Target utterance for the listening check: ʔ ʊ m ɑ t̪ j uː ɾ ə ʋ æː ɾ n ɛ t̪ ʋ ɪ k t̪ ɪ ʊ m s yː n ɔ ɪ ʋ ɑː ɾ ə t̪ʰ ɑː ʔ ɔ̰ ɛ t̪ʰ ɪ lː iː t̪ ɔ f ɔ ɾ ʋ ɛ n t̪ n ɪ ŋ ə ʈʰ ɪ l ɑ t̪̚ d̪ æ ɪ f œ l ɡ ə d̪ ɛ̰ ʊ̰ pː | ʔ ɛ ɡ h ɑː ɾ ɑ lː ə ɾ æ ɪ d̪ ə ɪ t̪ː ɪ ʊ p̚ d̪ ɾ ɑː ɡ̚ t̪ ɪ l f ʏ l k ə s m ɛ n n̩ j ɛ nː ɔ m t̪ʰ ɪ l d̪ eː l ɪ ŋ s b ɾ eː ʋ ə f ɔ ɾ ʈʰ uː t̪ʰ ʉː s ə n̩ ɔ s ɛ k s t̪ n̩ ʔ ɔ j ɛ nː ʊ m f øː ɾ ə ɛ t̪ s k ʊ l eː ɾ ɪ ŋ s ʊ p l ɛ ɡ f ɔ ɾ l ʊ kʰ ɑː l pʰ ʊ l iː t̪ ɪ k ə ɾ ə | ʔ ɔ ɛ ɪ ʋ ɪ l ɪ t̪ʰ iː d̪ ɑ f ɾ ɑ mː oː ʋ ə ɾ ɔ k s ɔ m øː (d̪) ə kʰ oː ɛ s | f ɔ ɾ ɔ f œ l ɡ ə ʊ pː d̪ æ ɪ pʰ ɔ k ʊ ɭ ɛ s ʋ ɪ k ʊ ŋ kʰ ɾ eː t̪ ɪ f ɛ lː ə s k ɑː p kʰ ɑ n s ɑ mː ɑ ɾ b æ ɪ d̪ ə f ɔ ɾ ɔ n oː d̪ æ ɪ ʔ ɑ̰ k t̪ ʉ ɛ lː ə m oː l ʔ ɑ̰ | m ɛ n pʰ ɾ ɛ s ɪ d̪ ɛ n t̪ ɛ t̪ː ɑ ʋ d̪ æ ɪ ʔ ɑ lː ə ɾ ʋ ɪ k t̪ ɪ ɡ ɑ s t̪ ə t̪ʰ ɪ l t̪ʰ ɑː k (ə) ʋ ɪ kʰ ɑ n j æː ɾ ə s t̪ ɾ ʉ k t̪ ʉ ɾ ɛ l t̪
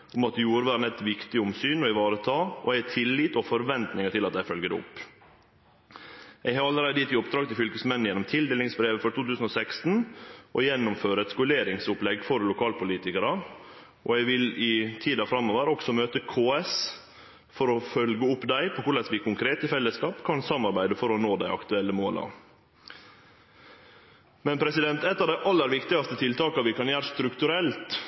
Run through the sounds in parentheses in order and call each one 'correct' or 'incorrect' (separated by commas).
incorrect, incorrect